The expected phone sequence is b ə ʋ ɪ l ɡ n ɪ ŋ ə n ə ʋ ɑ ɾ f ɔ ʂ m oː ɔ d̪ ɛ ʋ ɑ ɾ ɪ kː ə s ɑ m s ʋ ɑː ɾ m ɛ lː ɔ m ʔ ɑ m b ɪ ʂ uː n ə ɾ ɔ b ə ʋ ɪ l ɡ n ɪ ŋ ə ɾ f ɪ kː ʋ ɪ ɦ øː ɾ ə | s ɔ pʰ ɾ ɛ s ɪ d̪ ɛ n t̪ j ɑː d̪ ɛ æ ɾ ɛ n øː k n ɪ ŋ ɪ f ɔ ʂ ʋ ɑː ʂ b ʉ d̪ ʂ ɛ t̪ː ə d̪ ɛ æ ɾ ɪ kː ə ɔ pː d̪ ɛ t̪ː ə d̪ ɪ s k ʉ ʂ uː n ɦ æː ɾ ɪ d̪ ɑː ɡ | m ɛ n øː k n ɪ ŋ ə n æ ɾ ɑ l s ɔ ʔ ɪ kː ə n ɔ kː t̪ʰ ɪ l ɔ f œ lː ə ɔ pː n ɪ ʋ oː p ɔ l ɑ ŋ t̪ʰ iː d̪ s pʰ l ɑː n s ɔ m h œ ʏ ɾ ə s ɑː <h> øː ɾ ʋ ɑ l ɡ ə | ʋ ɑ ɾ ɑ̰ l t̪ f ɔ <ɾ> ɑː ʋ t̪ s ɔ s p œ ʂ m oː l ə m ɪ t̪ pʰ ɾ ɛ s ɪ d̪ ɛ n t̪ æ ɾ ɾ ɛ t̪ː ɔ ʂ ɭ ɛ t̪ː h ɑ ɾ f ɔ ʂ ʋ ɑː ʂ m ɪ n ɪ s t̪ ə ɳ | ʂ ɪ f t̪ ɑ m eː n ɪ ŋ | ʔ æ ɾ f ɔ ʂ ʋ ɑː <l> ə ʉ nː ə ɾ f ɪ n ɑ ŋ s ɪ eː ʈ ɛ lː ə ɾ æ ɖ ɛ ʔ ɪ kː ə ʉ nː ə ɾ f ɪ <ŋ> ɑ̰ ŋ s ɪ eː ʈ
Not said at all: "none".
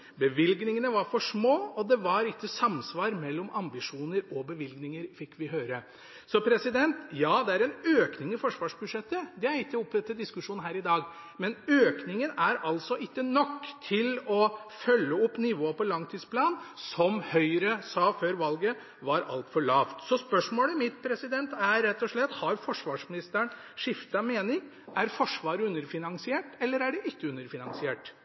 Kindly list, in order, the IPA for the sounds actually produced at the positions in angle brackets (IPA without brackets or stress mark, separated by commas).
f, ɭ, ɾ, n